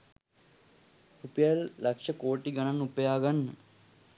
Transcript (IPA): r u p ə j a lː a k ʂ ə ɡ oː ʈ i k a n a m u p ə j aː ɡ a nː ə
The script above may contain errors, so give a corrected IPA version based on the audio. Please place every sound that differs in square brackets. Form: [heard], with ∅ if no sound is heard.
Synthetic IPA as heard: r u p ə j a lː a k ʂ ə [k] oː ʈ i [ɡ] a n a [n] u p ə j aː ɡ a nː ə